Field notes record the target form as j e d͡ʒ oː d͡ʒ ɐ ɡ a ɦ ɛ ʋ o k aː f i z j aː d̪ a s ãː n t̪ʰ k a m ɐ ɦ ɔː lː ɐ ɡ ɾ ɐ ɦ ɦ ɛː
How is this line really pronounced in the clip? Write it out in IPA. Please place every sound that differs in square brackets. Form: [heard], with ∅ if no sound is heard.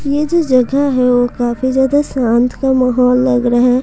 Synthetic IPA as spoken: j e d͡ʒ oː d͡ʒ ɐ ɡ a ɦ ɛ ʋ o k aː f i z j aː d̪ a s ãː n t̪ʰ k a m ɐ ɦ ɔː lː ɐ ɡ ɾ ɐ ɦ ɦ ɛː